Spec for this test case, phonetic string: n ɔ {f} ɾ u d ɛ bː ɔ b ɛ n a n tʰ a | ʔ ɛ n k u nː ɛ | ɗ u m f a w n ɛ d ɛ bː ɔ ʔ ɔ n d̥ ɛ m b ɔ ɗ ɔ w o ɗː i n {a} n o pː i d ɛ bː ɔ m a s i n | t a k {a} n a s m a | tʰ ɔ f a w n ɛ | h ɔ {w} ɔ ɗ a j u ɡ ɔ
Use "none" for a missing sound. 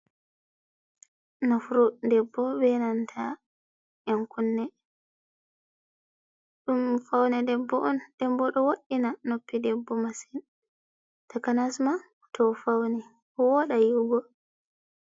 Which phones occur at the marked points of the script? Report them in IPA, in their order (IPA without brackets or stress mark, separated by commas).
f, a, a, w